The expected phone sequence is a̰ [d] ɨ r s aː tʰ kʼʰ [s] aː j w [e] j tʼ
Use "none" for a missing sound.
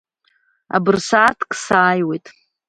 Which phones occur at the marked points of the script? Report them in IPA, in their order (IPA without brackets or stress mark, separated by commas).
b, s, e